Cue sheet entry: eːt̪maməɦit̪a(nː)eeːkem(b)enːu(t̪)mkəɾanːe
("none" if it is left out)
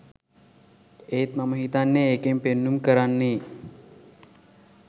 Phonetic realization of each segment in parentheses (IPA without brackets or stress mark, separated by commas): nː, p, none